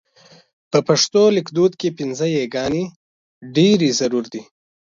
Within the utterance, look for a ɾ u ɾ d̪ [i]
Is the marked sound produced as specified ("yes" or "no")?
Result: yes